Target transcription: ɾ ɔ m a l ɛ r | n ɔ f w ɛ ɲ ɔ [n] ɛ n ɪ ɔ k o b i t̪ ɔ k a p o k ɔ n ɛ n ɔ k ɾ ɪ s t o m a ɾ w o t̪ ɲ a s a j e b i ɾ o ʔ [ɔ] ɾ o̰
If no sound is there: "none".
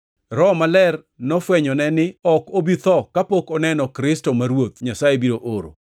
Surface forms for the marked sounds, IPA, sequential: n, o

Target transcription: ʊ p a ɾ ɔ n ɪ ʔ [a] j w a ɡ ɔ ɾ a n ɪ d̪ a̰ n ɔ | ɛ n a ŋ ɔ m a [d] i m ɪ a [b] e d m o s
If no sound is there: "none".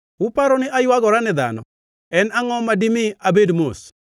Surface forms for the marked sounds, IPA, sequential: a, d, b

